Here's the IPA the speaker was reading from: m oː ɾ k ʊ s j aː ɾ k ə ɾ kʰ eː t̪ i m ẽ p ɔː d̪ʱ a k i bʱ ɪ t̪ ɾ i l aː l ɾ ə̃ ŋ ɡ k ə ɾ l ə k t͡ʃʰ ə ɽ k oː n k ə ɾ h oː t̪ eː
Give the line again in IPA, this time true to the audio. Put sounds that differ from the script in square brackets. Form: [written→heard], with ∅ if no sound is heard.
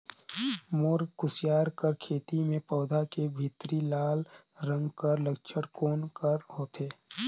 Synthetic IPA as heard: m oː ɾ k ʊ s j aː ɾ k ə ɾ kʰ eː t̪ i m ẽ p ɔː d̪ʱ a k [i→e] bʱ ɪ t̪ ɾ i l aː l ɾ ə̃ ŋ ɡ k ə ɾ l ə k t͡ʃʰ ə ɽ k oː n k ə ɾ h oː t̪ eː